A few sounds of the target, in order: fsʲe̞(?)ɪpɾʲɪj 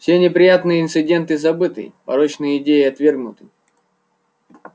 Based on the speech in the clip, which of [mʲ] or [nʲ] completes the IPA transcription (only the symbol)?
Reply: nʲ